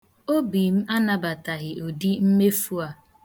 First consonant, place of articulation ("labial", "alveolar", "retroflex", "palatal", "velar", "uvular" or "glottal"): labial